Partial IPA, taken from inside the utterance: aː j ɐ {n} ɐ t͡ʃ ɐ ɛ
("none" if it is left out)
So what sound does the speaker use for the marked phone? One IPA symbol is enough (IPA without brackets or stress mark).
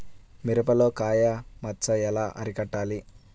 m